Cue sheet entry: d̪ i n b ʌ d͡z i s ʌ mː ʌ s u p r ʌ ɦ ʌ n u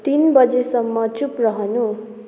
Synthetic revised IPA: t̪ i n b ʌ d͡z e s ʌ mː ʌ t͡s u p r ʌ ɦ ʌ n u